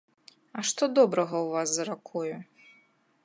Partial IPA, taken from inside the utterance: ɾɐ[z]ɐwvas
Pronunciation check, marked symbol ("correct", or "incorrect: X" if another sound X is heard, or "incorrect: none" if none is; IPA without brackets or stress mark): incorrect: ɣ